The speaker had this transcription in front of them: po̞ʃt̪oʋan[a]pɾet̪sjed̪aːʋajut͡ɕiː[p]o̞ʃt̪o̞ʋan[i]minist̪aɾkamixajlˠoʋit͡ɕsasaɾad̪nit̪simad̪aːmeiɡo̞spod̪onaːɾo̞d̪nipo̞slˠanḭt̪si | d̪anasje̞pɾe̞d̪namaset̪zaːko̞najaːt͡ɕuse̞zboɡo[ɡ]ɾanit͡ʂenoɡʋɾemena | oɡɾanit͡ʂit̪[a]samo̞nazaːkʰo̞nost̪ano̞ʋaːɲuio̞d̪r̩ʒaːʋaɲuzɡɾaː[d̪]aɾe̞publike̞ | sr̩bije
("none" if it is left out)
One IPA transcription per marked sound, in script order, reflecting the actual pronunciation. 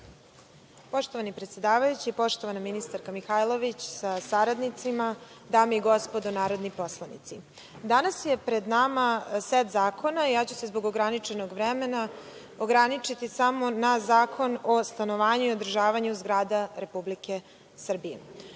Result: i, p, a, ɡ, i, d̪

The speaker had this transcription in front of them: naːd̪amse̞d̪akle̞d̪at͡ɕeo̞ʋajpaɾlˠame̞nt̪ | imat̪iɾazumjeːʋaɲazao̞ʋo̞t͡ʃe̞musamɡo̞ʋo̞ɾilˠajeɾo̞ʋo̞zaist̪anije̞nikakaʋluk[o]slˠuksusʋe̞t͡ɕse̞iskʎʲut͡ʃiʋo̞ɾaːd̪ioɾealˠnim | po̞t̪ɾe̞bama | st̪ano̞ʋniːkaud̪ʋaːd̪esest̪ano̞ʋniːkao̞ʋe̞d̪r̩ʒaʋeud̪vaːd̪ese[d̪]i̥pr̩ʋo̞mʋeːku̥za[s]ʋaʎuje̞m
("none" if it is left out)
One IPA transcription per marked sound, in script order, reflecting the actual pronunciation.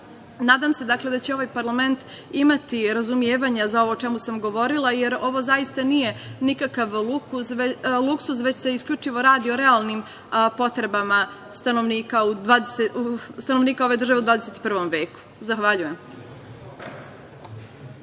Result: u, t̪, x

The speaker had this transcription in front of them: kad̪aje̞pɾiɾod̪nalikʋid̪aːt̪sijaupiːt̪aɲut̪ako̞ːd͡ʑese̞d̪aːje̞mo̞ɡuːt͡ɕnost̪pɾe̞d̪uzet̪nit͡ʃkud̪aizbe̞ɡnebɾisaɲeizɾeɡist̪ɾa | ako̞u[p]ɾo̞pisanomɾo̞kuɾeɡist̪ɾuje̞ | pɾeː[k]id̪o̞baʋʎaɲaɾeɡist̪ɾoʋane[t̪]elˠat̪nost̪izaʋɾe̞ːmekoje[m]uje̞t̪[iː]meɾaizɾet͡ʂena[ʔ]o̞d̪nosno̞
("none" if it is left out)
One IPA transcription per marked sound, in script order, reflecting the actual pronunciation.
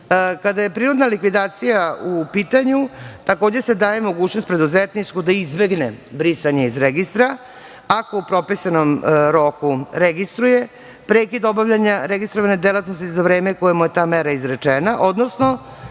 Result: p, k, d̪, m, aː, ʔ

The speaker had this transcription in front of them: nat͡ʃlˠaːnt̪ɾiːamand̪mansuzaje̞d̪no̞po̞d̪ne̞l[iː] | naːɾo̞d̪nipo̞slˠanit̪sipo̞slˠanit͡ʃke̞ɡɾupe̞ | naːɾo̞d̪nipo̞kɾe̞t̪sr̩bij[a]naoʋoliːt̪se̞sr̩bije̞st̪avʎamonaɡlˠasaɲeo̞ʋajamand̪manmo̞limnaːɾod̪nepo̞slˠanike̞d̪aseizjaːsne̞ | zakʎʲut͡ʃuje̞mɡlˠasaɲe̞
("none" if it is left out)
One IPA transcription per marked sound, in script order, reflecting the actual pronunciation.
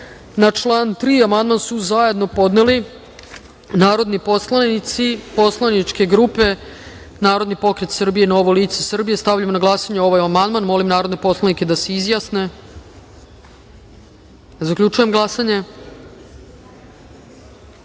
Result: i, e

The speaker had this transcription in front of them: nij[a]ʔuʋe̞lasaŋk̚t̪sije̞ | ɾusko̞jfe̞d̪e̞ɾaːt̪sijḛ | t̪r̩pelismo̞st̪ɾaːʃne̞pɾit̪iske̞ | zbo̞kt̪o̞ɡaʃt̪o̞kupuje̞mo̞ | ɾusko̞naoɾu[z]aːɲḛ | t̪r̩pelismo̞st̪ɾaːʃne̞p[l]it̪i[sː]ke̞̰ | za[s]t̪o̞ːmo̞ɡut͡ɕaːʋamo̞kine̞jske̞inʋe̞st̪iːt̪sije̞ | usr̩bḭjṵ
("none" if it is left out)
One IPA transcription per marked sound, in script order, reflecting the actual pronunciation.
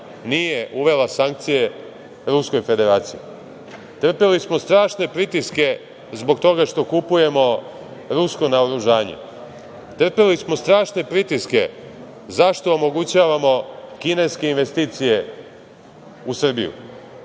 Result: e, ʒ, ɾ, s, ʃ

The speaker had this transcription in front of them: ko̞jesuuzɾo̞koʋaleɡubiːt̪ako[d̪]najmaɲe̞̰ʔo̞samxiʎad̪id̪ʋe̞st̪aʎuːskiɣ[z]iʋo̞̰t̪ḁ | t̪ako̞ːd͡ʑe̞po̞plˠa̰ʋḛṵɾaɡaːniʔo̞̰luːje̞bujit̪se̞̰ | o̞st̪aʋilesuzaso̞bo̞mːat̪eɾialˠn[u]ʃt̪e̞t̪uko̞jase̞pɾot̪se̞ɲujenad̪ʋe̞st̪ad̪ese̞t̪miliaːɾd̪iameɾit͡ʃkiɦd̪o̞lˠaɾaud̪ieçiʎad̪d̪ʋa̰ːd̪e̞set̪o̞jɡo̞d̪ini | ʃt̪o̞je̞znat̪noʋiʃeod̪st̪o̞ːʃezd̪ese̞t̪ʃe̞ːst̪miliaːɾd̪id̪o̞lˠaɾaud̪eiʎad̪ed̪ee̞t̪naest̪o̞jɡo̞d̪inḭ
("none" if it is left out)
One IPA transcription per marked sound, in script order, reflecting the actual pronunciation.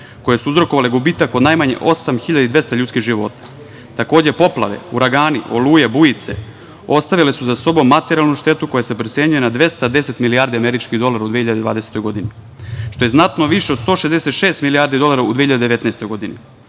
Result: d̪, ʒ, u

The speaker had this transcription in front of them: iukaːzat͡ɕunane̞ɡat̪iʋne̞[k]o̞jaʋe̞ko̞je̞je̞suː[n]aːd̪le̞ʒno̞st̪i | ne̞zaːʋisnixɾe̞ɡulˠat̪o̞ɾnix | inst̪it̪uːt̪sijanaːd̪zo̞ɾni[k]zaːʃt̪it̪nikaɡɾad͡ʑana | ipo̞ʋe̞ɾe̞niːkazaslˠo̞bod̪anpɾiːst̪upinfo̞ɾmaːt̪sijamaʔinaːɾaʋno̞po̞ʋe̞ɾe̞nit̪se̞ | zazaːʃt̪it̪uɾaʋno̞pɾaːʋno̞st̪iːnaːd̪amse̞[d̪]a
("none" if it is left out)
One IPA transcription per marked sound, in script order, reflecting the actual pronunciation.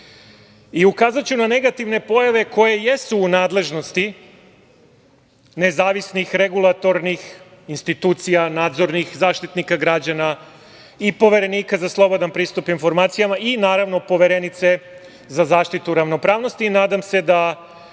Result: p, n, x, d̪

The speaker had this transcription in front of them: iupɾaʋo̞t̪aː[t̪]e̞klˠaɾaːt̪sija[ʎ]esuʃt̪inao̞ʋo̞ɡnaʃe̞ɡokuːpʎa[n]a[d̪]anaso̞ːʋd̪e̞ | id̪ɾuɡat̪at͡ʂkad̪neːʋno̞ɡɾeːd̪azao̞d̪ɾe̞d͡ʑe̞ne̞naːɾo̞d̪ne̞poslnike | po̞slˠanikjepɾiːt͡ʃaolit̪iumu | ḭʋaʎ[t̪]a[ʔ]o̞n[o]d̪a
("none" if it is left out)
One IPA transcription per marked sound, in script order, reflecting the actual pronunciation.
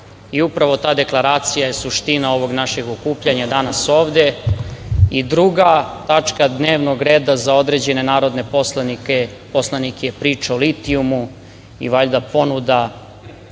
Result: d̪, j, ɲ, d̪, d̪, p, u

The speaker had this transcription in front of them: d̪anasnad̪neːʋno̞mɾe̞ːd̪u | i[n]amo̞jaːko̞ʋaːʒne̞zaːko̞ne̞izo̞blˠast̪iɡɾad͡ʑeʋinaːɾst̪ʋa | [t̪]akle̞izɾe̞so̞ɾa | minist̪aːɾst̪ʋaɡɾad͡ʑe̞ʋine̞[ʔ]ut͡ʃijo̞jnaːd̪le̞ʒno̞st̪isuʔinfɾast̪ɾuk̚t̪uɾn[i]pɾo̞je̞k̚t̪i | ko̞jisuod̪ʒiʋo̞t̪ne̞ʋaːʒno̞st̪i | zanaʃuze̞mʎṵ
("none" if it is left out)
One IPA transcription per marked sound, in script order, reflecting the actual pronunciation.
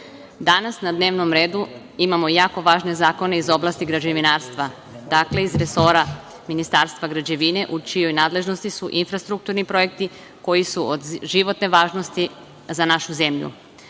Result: m, d̪, ʔ, i

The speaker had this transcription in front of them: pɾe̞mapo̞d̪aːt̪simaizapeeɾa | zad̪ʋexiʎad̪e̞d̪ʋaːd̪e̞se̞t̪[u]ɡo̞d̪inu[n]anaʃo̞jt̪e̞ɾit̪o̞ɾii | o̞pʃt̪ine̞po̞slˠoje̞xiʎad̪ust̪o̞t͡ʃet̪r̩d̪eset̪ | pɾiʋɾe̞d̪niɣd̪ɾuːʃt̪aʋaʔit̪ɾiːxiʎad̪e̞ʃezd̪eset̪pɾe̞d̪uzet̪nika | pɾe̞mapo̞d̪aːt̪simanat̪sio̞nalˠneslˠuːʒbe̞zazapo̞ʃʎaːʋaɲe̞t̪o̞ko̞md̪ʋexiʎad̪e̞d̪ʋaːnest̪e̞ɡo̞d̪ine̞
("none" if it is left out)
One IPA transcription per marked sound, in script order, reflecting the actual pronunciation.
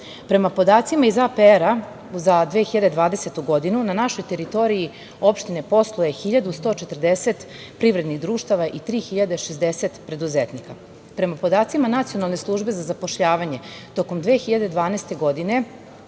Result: u, n

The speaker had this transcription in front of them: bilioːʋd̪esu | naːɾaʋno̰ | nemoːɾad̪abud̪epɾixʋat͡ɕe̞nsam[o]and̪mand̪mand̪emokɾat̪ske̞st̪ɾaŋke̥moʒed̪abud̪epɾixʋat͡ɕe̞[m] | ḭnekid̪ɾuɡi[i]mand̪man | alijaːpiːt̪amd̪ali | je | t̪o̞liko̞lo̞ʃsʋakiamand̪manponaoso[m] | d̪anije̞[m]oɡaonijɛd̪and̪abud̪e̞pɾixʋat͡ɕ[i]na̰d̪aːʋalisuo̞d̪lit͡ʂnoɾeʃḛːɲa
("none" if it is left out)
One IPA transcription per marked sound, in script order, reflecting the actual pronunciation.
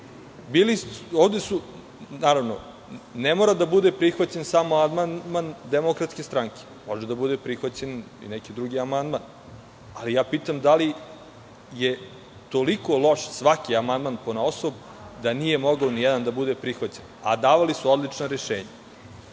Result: o, n, a, b, m, e

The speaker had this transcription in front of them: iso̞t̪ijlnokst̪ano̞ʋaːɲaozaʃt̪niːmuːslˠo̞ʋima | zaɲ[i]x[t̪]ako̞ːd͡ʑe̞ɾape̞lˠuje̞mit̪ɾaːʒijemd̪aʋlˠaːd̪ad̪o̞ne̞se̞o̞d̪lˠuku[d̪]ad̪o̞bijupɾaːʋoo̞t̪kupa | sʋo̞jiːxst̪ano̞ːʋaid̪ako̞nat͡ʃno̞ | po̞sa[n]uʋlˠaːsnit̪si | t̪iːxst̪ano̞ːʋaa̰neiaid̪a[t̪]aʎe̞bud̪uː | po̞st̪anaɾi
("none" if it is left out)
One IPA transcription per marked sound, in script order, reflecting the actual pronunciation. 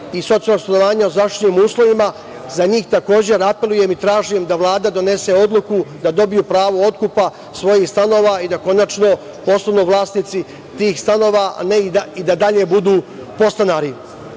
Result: iː, t̪, d̪, n, d̪

